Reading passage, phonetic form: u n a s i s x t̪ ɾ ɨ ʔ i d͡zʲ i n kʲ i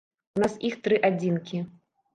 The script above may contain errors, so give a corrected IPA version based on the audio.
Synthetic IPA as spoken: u n a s i x t̪ ɾ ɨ ʔ a d͡zʲ i n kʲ i